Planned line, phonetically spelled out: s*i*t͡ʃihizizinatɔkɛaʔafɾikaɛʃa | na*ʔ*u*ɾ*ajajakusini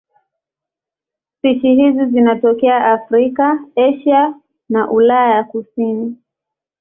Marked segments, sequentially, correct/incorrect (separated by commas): correct, correct, incorrect